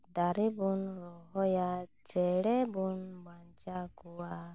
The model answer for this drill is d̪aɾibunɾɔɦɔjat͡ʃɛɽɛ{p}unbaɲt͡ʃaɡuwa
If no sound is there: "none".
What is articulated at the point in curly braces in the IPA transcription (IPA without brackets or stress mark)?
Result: b